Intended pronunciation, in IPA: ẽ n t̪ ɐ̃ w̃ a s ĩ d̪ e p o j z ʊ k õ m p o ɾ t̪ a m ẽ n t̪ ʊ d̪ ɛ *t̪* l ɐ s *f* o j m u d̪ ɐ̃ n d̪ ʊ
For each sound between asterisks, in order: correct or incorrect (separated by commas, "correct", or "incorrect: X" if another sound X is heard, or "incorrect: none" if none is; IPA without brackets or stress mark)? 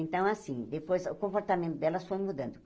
incorrect: none, correct